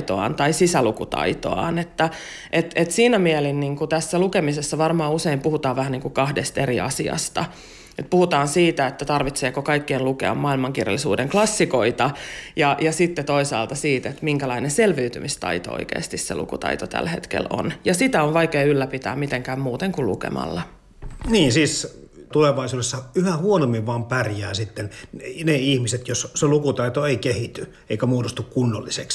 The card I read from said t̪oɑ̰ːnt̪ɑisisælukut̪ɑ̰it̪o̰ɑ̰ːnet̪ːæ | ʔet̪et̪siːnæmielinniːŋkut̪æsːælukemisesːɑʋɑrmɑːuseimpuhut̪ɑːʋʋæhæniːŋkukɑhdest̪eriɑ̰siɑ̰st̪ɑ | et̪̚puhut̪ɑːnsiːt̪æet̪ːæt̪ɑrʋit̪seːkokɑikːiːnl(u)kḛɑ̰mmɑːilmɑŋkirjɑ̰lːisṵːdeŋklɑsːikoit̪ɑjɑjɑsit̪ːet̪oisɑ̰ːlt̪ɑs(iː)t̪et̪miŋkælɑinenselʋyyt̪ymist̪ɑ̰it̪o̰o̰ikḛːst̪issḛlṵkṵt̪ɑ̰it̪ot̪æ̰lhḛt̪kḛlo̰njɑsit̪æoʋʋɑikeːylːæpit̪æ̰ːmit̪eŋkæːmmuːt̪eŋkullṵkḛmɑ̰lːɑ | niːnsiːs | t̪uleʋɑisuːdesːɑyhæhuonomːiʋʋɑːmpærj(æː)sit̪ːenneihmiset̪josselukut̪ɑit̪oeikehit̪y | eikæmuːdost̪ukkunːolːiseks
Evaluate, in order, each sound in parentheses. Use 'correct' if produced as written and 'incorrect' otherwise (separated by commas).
correct, correct, correct